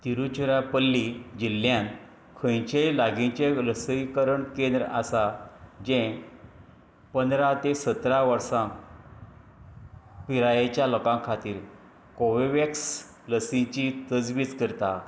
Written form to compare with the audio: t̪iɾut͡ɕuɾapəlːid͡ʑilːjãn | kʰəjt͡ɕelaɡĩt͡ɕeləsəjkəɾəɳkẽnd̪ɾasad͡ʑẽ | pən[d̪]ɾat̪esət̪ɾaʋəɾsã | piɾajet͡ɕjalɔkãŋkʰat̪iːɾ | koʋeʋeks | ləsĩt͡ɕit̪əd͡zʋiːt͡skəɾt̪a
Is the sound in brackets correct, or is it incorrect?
correct